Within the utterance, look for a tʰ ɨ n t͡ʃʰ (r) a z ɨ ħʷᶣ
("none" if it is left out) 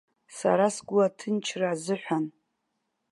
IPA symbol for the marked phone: r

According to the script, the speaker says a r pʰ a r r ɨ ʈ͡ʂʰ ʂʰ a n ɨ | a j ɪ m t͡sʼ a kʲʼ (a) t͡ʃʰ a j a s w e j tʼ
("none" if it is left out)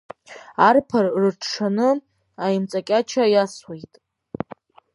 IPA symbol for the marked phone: a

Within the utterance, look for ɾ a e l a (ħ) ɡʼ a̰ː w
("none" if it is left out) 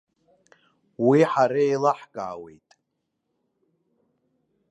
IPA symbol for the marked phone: ħ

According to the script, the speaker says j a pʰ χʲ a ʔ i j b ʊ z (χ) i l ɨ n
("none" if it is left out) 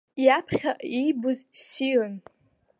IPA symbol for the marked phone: s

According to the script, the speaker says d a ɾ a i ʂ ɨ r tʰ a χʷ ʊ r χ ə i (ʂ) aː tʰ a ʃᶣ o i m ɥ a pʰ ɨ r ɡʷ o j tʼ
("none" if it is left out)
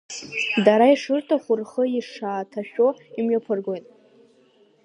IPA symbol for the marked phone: ʂ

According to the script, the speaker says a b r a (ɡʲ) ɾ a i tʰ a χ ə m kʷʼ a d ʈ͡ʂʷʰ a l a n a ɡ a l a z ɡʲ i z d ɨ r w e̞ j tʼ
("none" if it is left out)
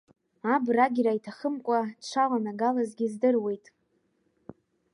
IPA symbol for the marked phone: ɡʲ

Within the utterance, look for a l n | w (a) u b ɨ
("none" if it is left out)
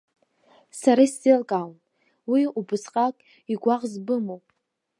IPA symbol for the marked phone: i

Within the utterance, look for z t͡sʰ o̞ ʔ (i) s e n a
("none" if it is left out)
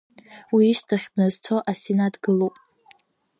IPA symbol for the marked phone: a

